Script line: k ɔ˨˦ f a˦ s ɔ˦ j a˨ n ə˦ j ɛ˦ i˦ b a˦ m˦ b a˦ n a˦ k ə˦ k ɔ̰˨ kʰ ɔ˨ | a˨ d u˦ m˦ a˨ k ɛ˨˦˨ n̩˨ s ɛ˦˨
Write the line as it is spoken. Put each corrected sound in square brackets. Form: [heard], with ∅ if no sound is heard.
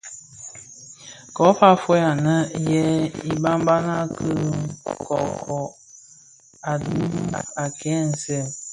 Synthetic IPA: k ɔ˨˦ f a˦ [f] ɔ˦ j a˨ n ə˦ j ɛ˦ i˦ b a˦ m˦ b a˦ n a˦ k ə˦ k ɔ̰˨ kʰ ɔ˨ | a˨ d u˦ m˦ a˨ k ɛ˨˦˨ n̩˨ s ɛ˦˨